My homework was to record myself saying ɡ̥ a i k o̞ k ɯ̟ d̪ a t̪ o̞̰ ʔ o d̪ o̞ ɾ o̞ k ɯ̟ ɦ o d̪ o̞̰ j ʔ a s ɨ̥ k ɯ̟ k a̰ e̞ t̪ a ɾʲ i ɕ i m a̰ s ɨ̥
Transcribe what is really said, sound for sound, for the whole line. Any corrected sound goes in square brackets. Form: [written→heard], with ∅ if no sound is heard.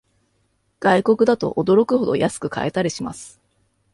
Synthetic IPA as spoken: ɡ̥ a i k o̞ k ɯ̟ d̪ a t̪ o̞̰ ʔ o d̪ o̞ ɾ o̞ k ɯ̟ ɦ o d̪ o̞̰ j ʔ a s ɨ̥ k ɯ̟ k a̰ e̞ t̪ a ɾʲ i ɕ i m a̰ s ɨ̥